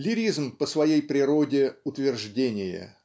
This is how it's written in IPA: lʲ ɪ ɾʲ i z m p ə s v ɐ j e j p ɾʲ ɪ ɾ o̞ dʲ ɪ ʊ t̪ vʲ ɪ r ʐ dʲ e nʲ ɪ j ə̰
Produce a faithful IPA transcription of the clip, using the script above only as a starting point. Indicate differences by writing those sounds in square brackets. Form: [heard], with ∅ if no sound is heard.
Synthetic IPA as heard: lʲ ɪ ɾʲ i z m p ə s v ɐ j e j p ɾʲ ɪ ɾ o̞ dʲ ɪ ʊ t̪ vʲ ɪ r ʐ dʲ e nʲ ɪ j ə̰

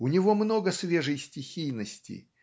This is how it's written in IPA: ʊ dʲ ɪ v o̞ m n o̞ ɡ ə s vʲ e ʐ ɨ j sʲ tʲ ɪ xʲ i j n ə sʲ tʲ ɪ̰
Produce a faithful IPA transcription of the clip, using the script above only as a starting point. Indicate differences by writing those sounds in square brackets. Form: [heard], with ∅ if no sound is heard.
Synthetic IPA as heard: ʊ [nʲ] ɪ v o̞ m n o̞ ɡ ə s vʲ e ʐ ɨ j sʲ tʲ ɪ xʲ i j n ə sʲ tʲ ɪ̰

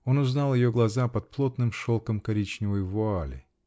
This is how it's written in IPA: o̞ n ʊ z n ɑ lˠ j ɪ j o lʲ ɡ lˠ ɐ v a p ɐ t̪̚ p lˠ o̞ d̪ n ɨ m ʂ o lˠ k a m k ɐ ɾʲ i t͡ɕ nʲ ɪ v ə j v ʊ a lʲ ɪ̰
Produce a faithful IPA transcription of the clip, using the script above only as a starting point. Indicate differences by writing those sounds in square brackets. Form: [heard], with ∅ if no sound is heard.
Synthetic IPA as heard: o̞ n ʊ z n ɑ lˠ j ɪ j o [∅] ɡ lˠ ɐ [z] a p ɐ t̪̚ p lˠ o̞ [t̪] n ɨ m ʂ o lˠ k [ə] m k ɐ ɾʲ i t͡ɕ nʲ ɪ v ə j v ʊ a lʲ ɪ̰

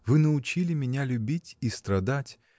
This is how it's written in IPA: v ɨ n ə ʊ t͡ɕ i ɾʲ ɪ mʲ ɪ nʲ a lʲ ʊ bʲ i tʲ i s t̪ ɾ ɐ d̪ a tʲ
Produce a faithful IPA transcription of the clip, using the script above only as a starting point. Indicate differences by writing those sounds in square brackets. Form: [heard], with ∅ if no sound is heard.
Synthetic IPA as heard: v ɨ n ə ʊ t͡ɕ i [lʲ] ɪ mʲ ɪ nʲ a lʲ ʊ bʲ i tʲ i s t̪ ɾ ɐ d̪ a tʲ

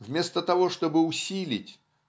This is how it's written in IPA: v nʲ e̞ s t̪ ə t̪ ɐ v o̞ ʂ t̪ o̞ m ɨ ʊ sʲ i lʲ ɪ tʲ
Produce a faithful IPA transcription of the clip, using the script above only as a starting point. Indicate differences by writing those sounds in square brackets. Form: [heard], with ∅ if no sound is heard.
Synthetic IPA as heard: v [mʲ] e̞ s t̪ ə t̪ ɐ v o̞ ʂ t̪ o̞ [b] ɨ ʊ sʲ i lʲ ɪ tʲ

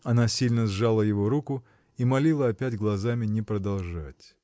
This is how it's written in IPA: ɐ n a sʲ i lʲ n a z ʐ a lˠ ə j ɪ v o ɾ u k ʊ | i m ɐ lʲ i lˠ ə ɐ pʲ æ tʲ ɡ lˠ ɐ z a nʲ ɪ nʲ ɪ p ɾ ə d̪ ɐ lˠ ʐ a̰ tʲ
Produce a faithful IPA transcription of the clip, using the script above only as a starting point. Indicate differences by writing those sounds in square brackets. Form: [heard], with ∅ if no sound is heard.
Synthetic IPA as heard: ɐ n a sʲ i lʲ n [ə] z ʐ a lˠ ə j ɪ v o ɾ u k ʊ | i m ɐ lʲ i lˠ ə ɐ pʲ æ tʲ ɡ lˠ ɐ z a [mʲ] ɪ nʲ ɪ p ɾ ə d̪ ɐ lˠ ʐ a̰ tʲ

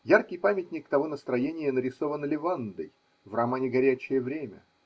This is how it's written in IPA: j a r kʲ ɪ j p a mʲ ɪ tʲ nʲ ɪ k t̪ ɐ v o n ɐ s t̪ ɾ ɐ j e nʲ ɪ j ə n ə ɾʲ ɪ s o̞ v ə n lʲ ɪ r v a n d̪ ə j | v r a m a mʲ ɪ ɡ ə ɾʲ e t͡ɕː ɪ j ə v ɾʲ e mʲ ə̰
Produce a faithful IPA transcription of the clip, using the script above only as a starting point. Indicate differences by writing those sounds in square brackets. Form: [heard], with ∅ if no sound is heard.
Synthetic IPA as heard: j a r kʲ ɪ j p a mʲ ɪ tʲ nʲ ɪ k t̪ ɐ v o n [ə] s t̪ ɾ ɐ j e nʲ ɪ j ə n ə ɾʲ ɪ s o̞ v ə n lʲ ɪ [∅] v a n d̪ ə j | v r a m a [nʲ] ɪ ɡ [ɐ] ɾʲ [æ] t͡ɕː ɪ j ə v ɾʲ e mʲ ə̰

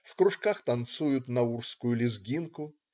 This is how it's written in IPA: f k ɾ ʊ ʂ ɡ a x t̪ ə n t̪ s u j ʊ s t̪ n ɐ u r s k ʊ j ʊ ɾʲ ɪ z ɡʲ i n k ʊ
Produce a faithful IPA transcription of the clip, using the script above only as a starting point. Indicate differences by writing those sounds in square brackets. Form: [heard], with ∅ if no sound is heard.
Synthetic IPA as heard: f k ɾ ʊ ʂ [k] a x t̪ [ɐ] n t̪ s u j ʊ [∅] t̪ n ɐ u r s k ʊ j ʊ [lʲ] ɪ z ɡʲ i n k ʊ

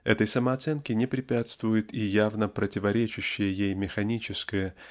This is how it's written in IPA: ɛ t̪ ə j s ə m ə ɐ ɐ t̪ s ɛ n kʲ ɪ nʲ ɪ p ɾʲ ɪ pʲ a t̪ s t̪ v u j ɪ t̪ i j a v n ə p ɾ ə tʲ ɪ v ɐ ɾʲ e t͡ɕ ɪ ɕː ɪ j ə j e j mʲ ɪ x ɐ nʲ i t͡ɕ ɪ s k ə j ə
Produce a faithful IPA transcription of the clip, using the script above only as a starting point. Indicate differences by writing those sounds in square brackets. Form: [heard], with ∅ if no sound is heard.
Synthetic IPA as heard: ɛ t̪ ə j s ə m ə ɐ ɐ t̪ s ɛ n kʲ ɪ nʲ ɪ p ɾʲ ɪ pʲ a t̪ s t̪ v [ʊ] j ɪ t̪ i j a v n ə p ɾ ə tʲ ɪ v ɐ ɾʲ e t͡ɕ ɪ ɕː ɪ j ə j e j mʲ ɪ x ɐ nʲ i t͡ɕ ɪ s k ə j ə

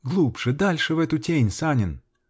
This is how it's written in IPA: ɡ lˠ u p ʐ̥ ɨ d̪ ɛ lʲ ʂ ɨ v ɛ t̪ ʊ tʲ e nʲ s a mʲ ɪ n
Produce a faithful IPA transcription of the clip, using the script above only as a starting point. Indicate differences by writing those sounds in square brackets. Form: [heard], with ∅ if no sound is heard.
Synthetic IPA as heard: ɡ lˠ u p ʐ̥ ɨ d̪ [a] lʲ ʂ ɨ v ɛ t̪ ʊ tʲ e nʲ s a [nʲ] ɪ n

